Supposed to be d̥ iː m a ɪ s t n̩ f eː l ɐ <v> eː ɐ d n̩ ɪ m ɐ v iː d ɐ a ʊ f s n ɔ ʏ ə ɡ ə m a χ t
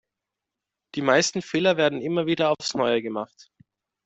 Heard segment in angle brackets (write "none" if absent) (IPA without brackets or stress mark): v